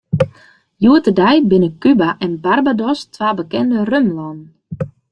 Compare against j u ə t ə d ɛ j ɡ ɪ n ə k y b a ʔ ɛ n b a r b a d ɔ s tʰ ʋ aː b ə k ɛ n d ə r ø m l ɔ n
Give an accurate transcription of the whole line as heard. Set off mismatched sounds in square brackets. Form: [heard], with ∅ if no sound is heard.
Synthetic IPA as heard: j u ə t ə d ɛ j [b] ɪ n ə k y b a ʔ ɛ n b a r b a d ɔ s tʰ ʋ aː b ə k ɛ n d ə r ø m l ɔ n

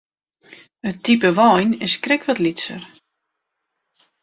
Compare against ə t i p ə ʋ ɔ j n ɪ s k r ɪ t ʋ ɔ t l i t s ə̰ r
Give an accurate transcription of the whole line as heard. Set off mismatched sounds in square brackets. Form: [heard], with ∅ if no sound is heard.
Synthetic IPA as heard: ə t i p ə ʋ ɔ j n ɪ s k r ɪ [k] ʋ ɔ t l i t s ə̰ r

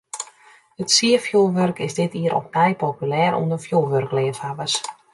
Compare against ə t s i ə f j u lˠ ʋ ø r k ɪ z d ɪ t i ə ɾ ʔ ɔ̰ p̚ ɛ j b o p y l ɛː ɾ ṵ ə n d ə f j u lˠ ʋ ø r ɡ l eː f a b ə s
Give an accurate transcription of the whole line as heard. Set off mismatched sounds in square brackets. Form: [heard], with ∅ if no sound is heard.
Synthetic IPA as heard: ə t s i ə f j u lˠ ʋ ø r k ɪ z d ɪ t i ə ɾ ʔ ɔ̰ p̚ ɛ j [p] o p y l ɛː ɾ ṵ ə n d ə f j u lˠ ʋ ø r [k] l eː f a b ə s

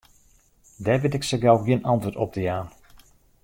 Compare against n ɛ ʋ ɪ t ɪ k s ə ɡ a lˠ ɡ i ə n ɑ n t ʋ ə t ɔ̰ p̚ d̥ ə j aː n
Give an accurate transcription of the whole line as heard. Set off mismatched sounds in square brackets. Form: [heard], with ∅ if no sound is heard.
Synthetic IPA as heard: [d] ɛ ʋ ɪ t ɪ k s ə ɡ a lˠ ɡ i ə n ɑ n t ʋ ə t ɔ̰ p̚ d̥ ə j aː n

